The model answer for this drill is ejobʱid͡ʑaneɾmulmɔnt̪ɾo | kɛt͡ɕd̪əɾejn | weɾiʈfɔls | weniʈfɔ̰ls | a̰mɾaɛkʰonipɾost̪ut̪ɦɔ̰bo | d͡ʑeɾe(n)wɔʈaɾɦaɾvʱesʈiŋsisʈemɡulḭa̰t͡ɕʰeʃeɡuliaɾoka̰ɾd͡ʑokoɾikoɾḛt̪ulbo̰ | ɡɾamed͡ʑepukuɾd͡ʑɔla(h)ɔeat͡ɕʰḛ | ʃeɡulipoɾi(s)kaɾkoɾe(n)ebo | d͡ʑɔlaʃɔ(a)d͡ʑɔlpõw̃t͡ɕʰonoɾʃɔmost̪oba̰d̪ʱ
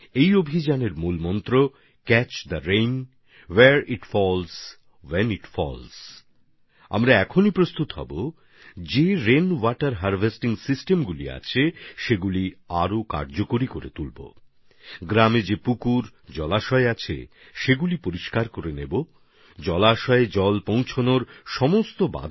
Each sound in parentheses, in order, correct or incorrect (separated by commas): correct, incorrect, incorrect, correct, incorrect